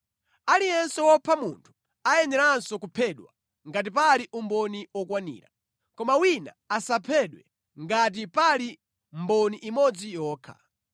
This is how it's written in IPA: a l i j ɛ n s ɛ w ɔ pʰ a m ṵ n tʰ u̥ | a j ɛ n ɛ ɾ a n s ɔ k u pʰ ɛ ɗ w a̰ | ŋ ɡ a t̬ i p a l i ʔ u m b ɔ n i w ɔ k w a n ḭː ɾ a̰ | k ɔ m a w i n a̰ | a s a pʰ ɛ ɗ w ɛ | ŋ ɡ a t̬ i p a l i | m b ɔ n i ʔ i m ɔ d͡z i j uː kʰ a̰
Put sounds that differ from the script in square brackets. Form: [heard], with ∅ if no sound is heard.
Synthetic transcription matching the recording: a l i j ɛ n s ɛ w ɔ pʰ a m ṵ n tʰ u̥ | a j ɛ n ɛ ɾ a n s ɔ k u pʰ ɛ ɗ w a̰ | ŋ ɡ a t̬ i p a l i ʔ u m b ɔ n i w ɔ k w a n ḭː ɾ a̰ | k ɔ m a w i n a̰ | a s a pʰ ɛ ɗ w ɛ | ŋ ɡ a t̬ i p a l i | m b ɔ n i ʔ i m ɔ d͡z i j [ɔː] kʰ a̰